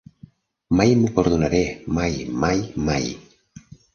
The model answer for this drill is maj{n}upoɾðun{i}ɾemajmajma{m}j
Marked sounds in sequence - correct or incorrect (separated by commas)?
incorrect, incorrect, incorrect